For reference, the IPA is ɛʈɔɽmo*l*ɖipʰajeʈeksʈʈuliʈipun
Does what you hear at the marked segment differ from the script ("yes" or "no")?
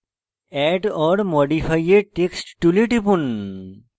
yes